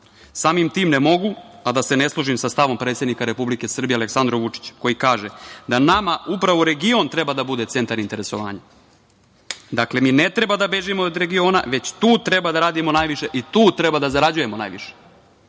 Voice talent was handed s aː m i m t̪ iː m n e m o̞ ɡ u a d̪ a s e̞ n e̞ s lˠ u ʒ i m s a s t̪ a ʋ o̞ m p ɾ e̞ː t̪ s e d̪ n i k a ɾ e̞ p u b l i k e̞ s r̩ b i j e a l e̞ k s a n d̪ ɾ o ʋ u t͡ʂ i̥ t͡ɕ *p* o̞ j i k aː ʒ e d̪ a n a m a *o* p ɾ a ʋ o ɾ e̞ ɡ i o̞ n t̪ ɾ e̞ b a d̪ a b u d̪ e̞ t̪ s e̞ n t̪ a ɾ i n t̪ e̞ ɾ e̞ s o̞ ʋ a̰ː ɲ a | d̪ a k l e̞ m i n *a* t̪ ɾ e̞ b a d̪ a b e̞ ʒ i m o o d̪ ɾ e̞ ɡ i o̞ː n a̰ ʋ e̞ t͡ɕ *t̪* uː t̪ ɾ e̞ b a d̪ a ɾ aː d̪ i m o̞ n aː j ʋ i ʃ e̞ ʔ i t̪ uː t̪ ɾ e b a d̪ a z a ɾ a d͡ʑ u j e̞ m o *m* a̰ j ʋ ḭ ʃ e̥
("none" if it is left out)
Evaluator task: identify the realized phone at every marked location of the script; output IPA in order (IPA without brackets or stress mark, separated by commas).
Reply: k, u, e, t̪, n